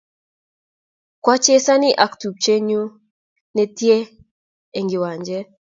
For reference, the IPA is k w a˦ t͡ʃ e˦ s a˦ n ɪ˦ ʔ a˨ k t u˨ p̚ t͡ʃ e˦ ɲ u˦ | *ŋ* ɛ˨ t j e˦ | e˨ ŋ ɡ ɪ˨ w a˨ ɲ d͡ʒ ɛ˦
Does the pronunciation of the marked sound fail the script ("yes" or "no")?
yes